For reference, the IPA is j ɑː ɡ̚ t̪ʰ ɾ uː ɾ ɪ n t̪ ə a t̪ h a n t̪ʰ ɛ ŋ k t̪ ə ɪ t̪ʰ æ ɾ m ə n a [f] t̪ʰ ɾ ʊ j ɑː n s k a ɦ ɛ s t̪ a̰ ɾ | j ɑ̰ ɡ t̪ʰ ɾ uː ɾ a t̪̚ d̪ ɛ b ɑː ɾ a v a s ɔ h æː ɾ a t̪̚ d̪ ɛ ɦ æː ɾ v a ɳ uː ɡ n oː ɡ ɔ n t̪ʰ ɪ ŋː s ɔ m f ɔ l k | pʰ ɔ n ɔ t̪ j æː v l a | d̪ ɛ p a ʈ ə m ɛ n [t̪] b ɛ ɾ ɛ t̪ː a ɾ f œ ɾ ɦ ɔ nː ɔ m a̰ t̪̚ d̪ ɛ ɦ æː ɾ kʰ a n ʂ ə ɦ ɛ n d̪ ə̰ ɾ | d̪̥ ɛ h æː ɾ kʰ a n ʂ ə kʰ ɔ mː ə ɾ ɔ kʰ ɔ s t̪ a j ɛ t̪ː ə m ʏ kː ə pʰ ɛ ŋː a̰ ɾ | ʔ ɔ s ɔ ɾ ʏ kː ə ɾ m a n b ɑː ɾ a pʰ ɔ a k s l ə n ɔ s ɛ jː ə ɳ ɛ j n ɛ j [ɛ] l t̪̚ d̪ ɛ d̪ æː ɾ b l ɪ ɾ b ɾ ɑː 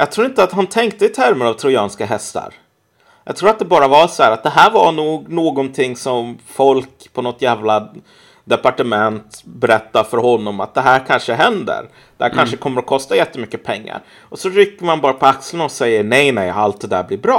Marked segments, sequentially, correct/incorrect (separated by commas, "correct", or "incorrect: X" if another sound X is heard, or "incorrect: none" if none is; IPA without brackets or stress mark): incorrect: v, correct, incorrect: a